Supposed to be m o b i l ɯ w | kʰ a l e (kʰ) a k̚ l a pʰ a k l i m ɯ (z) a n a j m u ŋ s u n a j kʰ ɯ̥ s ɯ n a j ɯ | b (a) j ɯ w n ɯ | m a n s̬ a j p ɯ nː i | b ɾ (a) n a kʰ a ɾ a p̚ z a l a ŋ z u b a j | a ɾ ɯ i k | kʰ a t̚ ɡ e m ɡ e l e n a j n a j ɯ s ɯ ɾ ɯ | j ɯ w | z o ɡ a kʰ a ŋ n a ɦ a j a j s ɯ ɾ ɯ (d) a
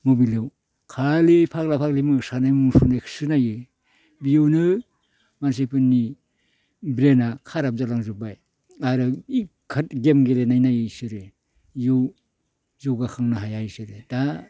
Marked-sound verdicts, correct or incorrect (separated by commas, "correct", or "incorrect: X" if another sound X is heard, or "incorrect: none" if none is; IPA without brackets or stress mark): incorrect: pʰ, incorrect: s, incorrect: i, incorrect: e, correct